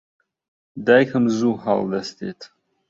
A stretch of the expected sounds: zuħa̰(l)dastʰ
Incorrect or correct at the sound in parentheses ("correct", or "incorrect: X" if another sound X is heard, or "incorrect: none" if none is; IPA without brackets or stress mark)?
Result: correct